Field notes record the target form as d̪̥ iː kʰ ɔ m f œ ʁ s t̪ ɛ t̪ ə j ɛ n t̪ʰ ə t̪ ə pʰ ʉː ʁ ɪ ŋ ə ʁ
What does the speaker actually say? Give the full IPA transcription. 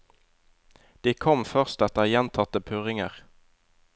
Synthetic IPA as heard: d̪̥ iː kʰ ɔ m f œ ʁ s t̪ ɛ t̪ ə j ɛ n t̪ʰ ɑ t̪ ə pʰ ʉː ʁ ɪ ŋ ə ʁ